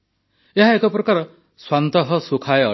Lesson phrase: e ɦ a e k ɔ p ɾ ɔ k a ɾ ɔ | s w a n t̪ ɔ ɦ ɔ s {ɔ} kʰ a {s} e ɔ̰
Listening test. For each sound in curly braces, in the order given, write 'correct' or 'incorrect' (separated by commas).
incorrect, incorrect